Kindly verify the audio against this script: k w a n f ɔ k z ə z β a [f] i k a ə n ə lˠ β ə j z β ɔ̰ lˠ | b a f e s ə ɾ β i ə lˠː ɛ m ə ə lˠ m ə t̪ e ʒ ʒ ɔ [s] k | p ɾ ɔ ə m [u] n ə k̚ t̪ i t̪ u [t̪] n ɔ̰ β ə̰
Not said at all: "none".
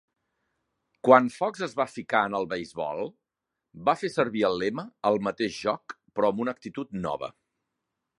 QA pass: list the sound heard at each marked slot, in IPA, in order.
f, none, u, t̪

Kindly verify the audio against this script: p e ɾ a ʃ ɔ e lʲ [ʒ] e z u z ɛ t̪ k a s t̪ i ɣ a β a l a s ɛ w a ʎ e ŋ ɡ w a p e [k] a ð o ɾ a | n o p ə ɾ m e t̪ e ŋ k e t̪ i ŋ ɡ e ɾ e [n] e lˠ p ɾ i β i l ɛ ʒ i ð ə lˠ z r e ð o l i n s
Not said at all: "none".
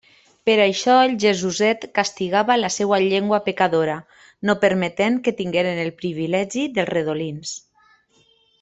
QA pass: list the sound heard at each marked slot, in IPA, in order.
ʒ, k, n

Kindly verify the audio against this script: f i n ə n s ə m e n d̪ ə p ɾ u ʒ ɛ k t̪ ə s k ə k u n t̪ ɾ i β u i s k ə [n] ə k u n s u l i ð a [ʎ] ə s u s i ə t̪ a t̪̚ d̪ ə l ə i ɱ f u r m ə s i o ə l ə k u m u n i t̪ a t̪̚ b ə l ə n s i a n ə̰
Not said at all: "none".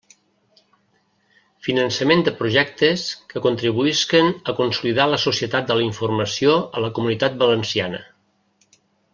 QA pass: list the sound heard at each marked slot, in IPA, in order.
n, l

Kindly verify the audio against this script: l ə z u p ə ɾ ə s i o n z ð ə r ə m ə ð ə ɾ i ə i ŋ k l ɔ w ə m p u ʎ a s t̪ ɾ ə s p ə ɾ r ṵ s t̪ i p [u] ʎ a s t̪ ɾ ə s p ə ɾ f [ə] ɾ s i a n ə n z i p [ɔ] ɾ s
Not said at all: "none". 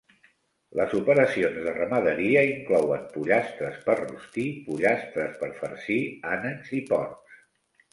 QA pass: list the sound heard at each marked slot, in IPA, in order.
u, ə, ɔ

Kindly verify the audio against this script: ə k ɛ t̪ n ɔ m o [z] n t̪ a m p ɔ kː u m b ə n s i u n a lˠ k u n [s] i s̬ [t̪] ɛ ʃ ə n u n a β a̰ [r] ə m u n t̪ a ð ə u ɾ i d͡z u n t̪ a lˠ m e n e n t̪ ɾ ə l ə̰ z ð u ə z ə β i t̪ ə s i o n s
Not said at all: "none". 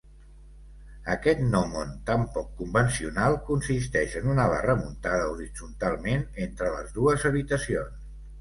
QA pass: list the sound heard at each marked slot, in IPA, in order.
none, s, t̪, r

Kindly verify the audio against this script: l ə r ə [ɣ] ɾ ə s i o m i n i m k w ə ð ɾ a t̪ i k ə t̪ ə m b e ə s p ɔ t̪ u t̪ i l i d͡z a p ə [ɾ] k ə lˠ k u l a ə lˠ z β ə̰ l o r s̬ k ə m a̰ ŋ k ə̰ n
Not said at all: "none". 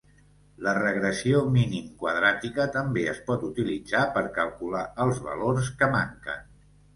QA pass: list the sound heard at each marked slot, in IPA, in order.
ɣ, ɾ

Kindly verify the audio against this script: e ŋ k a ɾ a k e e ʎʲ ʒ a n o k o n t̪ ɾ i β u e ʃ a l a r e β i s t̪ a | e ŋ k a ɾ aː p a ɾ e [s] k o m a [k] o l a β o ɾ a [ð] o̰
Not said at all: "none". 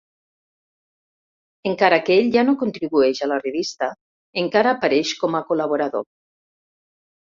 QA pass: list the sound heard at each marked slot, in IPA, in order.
ʃ, k, ð

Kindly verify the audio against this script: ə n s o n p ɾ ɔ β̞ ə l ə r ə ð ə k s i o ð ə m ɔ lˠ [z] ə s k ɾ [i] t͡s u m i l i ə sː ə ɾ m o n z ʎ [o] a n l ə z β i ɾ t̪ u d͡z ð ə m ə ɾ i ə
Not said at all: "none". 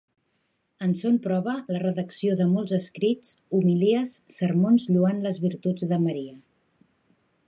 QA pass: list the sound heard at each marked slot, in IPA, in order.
z, i, u

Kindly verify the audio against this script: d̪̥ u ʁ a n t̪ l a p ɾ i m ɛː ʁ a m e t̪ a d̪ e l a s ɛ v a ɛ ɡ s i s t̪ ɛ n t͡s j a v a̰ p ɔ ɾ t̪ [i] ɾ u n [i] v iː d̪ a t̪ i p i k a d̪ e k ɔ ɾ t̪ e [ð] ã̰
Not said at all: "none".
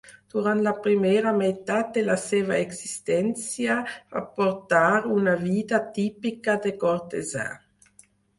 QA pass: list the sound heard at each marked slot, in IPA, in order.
a, a, z

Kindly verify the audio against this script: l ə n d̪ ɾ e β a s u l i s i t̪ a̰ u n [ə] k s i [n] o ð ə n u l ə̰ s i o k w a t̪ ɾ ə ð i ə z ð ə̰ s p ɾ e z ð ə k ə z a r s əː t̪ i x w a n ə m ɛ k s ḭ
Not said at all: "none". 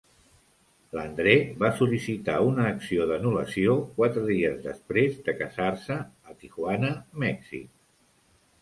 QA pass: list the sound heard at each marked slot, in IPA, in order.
əː, none

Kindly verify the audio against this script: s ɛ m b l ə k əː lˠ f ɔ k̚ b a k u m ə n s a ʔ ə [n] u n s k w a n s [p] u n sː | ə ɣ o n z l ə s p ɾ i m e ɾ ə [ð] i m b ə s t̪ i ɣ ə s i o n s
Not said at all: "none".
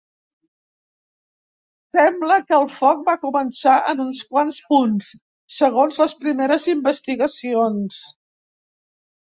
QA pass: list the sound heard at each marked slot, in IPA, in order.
n, p, z

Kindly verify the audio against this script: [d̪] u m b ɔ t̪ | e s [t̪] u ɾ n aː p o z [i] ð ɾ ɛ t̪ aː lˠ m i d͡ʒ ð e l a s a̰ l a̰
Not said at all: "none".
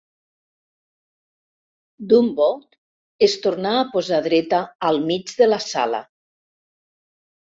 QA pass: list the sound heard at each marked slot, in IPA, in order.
d̪, t̪, a

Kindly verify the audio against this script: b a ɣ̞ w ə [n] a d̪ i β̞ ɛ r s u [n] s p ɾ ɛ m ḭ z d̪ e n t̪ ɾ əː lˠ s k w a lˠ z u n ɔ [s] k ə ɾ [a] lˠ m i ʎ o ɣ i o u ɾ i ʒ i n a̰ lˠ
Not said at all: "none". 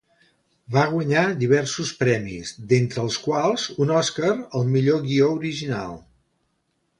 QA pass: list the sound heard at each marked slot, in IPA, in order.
ɲ, none, s, ə

